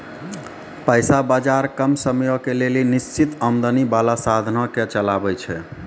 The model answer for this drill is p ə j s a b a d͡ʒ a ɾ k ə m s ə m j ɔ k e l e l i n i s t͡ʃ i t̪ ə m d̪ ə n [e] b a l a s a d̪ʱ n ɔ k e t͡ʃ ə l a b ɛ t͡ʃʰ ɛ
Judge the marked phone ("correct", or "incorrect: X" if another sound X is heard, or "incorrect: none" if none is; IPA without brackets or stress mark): incorrect: i